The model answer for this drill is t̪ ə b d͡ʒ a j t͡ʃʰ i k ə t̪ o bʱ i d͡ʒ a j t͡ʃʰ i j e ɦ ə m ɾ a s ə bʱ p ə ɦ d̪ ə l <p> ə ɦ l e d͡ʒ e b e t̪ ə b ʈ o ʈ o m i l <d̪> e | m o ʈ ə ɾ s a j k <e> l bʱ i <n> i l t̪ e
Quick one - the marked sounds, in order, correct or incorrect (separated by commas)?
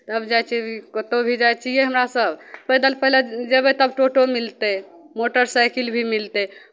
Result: correct, incorrect, incorrect, incorrect